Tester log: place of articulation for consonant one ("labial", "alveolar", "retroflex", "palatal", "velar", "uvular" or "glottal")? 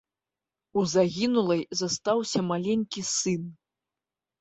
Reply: alveolar